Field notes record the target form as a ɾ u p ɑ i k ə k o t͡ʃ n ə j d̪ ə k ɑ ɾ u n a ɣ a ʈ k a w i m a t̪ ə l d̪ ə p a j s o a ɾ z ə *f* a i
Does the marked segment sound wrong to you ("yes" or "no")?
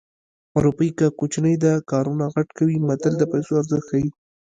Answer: yes